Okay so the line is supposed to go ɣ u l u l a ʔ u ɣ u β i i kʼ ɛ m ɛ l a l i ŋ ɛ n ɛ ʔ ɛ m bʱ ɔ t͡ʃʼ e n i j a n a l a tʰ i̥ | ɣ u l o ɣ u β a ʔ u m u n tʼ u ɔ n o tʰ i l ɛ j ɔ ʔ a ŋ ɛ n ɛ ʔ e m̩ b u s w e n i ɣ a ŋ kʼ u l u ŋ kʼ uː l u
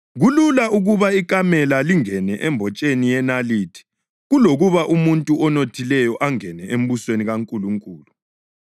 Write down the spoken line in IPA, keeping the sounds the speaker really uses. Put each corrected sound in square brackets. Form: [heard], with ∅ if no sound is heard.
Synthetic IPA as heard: ɣ u l u l a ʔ u ɣ u β [a] i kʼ [a] m ɛ l a l i ŋ ɛ n ɛ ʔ ɛ m bʱ ɔ t͡ʃʼ e n i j [ɛ] n a l [i] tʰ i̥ | ɣ u l o ɣ u β a ʔ u m u n tʼ u ɔ n o tʰ i l ɛ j ɔ ʔ a ŋ ɛ n ɛ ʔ e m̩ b u s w e n i ɣ a ŋ kʼ u l u ŋ kʼ uː l u